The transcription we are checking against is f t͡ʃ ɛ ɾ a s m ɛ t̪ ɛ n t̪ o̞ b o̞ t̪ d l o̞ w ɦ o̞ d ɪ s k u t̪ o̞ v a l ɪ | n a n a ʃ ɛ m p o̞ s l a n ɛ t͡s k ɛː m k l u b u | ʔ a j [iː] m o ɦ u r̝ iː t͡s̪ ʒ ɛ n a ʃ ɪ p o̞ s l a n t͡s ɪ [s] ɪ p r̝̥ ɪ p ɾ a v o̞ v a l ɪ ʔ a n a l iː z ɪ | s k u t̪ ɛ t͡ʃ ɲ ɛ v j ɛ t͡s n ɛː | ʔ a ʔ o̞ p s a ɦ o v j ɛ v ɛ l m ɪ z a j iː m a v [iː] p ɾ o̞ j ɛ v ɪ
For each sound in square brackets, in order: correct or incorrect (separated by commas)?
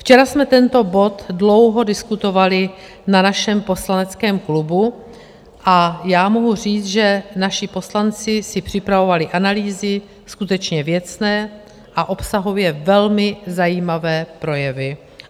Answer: incorrect, correct, incorrect